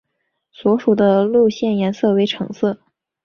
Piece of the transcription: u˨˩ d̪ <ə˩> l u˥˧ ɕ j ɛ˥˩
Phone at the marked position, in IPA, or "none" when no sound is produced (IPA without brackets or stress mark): ə˦